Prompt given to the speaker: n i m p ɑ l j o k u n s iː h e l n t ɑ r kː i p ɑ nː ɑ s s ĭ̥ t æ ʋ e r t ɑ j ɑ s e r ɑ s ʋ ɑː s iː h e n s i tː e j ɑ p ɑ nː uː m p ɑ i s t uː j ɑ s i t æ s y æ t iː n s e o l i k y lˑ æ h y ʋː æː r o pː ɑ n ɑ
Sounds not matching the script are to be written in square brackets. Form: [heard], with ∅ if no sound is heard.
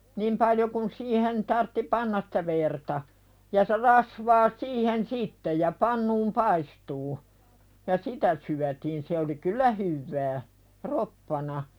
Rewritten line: n i m p ɑ l j o k u n s iː h e [∅] n t ɑ r [tː] i p ɑ nː ɑ s s ĭ̥ t æ ʋ e r t ɑ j ɑ s e r ɑ s ʋ ɑː s iː h e n s i tː e j ɑ p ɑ nː uː m p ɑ i s t uː j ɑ s i t æ s y æ t iː n s e o l i k y lˑ æ h y ʋː æː r o pː ɑ n ɑ